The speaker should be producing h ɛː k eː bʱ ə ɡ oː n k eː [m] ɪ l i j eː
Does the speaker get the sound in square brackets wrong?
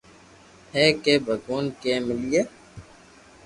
no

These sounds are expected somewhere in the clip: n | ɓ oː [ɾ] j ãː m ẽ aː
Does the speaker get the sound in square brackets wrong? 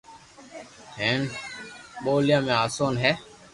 yes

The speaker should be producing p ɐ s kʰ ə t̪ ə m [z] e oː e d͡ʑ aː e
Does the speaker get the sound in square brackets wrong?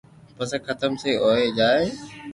yes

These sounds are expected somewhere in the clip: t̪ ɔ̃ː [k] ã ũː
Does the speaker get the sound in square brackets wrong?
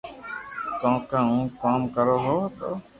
no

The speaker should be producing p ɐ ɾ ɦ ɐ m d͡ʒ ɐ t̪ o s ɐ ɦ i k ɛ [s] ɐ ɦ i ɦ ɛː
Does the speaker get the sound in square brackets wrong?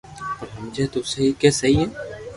no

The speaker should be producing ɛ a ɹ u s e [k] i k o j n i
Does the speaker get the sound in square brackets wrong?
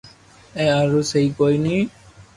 yes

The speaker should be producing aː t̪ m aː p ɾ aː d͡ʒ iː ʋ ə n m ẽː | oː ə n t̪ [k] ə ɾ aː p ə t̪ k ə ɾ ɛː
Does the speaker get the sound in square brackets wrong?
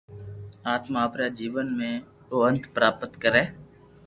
yes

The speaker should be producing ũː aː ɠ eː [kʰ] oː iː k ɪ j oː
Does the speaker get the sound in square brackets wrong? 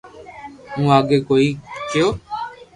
yes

